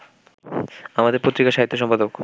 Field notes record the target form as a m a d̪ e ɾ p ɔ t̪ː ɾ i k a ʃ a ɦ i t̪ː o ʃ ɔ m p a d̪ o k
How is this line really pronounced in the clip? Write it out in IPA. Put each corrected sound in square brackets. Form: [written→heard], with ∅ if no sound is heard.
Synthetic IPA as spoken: a m a d̪ e ɾ p [ɔ→o] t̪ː ɾ i k a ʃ a ɦ i t̪ː o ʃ ɔ m p a d̪ o k